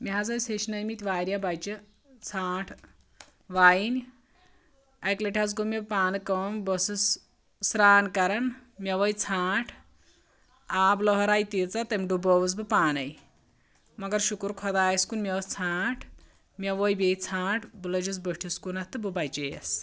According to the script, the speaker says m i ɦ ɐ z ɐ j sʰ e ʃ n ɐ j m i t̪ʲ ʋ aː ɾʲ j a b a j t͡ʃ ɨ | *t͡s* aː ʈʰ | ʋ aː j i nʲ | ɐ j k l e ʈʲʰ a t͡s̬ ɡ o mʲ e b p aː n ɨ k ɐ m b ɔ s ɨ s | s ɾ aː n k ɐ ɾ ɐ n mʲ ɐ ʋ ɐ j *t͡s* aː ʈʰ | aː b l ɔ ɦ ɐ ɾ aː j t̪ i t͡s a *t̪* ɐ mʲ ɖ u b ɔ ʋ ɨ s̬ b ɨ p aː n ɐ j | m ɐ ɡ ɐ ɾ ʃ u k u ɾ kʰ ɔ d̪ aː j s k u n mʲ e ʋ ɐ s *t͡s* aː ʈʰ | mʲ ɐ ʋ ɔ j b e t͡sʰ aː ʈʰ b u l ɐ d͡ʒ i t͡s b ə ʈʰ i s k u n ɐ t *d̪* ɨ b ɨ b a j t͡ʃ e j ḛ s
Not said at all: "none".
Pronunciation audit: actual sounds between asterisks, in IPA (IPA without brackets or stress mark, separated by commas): t͡sʰ, t͡sʰ, t̪, t͡sʰ, t̪